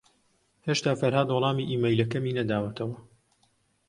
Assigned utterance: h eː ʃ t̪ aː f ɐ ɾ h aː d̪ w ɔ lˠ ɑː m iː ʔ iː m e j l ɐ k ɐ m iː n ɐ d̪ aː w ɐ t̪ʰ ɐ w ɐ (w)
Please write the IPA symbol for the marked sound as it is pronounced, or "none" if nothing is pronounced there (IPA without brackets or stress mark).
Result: none